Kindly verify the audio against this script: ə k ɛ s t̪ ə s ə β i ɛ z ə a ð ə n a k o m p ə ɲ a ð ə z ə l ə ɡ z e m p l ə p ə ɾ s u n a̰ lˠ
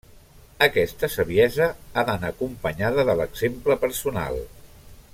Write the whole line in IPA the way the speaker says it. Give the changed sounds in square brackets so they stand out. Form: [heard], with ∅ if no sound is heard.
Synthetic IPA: ə k ɛ s t̪ ə s ə β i ɛ z ə a ð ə n a k [u] m p ə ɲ a ð ə [ð] ə l ə ɡ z e m p l ə p ə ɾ s u n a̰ lˠ